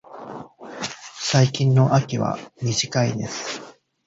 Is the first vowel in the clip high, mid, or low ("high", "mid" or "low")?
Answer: low